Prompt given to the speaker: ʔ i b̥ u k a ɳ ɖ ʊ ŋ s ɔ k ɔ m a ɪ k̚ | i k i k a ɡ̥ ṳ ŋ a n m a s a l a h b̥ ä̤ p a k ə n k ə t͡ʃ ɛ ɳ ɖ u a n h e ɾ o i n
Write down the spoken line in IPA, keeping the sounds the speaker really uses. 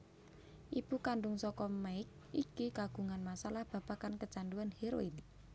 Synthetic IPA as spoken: ʔ i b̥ u k a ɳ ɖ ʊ ŋ s ɔ k ɔ m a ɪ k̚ | i k i k a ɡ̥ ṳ ŋ a n m a s a l a h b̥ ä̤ p a k a n k ə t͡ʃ a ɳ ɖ u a n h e ɾ o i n